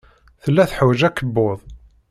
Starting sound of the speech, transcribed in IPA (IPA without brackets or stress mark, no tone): θ